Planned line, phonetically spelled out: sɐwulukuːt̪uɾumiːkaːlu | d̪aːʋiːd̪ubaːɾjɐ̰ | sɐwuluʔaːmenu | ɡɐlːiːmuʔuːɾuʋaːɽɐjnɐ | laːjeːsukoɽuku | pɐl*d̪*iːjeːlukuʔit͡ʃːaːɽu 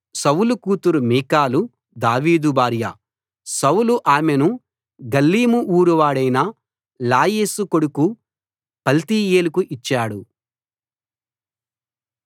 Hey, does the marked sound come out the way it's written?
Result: no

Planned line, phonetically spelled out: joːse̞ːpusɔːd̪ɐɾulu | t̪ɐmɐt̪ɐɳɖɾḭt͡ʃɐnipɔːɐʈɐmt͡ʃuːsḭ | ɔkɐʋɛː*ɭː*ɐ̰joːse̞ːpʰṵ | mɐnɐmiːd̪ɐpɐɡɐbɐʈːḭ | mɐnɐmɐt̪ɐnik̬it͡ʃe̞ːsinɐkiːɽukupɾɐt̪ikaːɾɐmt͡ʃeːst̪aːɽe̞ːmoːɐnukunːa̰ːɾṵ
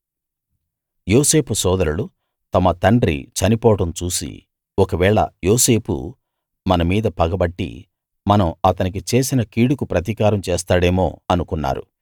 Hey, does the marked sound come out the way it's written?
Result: no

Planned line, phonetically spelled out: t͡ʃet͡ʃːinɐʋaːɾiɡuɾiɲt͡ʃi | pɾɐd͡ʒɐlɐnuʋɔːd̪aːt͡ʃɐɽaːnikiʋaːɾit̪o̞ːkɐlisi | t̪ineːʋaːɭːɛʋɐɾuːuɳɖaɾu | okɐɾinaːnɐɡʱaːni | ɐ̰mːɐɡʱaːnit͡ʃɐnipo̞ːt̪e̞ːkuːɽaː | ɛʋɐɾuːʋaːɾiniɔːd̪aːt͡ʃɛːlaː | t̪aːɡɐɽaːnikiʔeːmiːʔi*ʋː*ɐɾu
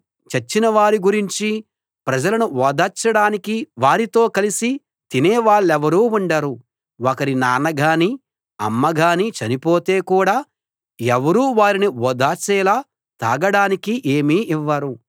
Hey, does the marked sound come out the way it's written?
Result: yes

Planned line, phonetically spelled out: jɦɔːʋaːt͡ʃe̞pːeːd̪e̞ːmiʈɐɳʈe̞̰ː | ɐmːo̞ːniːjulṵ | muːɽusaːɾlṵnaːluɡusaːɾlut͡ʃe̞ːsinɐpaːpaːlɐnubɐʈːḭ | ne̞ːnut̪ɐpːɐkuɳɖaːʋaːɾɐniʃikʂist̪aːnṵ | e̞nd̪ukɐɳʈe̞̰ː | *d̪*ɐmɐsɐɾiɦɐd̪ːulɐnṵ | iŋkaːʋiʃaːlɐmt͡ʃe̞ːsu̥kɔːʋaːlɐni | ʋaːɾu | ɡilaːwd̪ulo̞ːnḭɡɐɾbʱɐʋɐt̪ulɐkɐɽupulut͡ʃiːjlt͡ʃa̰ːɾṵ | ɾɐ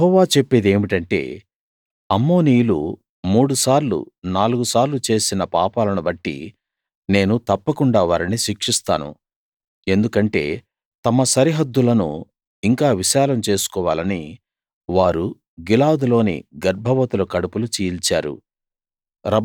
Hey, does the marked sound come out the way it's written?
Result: no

